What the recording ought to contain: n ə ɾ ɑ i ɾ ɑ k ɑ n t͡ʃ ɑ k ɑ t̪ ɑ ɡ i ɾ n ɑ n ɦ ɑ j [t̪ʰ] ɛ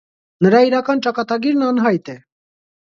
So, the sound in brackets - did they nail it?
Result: no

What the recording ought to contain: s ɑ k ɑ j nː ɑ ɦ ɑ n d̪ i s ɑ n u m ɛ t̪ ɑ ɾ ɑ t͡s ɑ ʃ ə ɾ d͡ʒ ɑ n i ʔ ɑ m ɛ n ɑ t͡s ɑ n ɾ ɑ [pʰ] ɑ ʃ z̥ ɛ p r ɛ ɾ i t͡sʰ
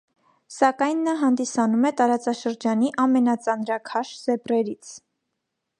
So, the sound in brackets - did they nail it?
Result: no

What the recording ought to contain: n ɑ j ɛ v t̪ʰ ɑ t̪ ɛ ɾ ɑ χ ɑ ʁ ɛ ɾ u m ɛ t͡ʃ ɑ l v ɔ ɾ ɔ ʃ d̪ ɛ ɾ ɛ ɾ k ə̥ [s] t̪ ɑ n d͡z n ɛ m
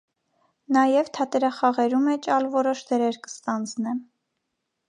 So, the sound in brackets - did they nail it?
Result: yes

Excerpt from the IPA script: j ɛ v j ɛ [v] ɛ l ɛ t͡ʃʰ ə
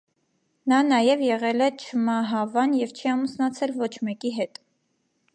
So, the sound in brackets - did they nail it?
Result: no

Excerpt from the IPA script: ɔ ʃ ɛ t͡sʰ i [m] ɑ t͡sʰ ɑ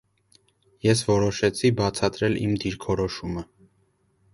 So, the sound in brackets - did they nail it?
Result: no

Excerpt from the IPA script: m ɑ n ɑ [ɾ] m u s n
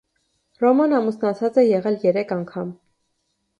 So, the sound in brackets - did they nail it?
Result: no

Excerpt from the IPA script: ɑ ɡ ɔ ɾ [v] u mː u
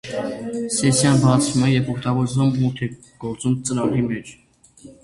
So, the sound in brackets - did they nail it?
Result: no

